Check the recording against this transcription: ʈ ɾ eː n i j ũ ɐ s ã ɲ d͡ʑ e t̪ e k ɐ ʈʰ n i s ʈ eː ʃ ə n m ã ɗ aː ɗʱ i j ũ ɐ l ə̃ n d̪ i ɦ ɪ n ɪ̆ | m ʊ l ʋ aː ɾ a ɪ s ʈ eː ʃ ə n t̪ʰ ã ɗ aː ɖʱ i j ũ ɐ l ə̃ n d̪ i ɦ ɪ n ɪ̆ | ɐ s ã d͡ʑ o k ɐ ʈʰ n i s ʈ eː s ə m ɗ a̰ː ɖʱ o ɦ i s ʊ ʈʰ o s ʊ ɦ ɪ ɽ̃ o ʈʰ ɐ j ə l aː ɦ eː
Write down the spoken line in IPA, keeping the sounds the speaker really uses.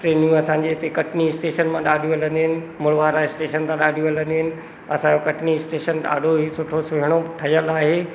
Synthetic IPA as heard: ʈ ɾ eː n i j ũ ɐ s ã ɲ d͡ʑ e t̪ e k ɐ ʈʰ n i s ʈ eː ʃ ə n m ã ɗ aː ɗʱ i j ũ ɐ l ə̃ n d̪ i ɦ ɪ n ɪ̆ | m ʊ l ʋ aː ɾ a ɪ s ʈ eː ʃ ə n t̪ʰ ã ɗ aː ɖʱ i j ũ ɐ l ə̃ n d̪ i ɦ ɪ n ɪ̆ | ɐ s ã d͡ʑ o k ɐ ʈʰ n i s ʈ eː ʃ ə n ɗ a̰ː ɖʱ o ɦ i s ʊ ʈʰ o s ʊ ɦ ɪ ɽ̃ o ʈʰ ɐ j ə l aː ɦ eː